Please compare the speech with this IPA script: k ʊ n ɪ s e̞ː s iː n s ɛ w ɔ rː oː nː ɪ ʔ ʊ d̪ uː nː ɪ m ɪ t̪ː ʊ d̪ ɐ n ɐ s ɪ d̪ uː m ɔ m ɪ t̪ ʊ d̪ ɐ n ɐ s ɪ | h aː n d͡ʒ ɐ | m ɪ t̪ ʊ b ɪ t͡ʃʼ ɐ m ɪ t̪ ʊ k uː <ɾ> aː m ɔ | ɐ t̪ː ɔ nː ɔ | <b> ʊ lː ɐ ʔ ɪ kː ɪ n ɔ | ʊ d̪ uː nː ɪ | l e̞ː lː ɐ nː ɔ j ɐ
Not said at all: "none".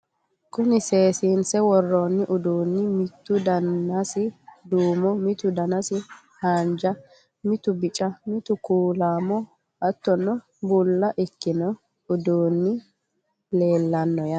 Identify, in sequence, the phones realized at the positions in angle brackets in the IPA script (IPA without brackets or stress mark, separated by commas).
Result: l, b